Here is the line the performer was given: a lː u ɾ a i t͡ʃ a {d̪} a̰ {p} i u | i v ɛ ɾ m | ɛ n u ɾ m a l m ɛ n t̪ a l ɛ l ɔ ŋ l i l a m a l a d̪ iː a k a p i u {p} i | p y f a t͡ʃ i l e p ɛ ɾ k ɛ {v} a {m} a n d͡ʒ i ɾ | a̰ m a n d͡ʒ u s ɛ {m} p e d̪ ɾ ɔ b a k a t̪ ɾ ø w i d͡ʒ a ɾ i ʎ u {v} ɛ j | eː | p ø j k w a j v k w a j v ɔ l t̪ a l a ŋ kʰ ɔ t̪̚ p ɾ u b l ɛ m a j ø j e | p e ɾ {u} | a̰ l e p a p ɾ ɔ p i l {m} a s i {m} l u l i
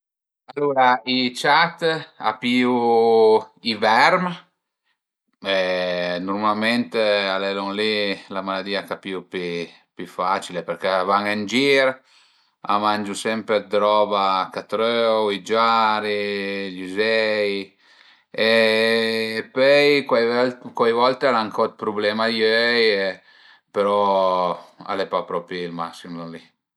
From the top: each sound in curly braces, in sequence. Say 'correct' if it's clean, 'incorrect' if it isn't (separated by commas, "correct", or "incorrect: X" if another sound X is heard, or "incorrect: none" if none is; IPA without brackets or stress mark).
incorrect: t̪, correct, correct, correct, incorrect: ŋ, correct, incorrect: z, incorrect: ɔ, correct, correct